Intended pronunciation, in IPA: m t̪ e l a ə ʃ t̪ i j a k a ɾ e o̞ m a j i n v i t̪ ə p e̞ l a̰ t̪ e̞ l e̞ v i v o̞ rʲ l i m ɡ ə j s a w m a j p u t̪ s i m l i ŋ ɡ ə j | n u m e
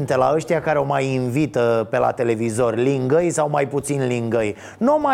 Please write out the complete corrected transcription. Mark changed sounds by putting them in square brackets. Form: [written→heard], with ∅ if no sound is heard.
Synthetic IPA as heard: [m→n] t̪ e l a ə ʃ t̪ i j a k a ɾ e o̞ m a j i n v i t̪ ə p e̞ l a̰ t̪ e̞ l e̞ v i [v→z] o̞ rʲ l i [m→ŋ] ɡ ə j s a w m a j p u t̪ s i [m→n] l i ŋ ɡ ə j | n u m [e→a]